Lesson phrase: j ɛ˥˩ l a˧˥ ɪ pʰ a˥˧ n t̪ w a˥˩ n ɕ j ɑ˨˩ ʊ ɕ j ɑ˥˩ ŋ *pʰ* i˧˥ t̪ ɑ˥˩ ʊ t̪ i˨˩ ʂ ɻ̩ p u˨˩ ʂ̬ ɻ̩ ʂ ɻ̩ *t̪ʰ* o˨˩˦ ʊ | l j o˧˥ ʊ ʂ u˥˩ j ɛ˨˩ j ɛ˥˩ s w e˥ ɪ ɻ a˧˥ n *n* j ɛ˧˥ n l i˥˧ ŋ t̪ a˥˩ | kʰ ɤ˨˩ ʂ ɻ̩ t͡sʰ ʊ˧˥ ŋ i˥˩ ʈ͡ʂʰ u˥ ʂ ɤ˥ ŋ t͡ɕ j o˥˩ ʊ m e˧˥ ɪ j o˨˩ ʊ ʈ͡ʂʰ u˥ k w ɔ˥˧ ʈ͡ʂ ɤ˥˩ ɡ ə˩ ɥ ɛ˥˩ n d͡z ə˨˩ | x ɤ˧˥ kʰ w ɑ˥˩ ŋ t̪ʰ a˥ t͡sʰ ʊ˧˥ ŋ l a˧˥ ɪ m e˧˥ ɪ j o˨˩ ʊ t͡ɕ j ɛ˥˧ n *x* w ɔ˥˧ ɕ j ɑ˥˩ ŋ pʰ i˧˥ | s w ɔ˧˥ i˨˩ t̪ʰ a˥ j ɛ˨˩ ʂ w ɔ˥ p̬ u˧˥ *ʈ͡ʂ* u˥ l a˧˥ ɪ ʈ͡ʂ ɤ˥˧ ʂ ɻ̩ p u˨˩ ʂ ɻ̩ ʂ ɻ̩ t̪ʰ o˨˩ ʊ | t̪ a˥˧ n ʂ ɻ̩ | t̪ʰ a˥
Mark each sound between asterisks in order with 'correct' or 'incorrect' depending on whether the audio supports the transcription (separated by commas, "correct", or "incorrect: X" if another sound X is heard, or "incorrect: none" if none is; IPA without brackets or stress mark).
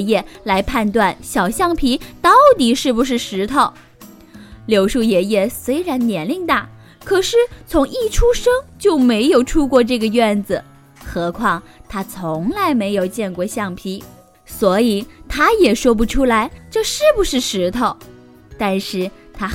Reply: correct, correct, correct, incorrect: k, incorrect: ʈ͡ʂʰ